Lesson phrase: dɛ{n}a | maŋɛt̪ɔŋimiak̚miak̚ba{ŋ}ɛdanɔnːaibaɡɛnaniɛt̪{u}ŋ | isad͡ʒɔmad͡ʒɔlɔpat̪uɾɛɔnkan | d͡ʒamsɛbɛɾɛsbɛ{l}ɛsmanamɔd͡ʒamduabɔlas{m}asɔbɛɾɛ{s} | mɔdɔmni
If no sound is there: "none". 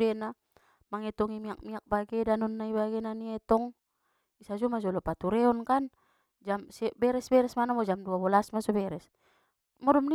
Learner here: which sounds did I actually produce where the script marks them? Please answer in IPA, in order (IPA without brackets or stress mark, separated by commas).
n, ɡ, ɔ, ɾ, m, s